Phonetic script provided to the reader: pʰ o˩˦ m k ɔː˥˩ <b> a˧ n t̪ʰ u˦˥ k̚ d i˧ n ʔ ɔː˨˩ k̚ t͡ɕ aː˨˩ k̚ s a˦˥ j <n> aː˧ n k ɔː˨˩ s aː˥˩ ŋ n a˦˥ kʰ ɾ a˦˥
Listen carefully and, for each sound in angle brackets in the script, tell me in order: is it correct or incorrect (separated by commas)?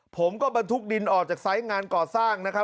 correct, incorrect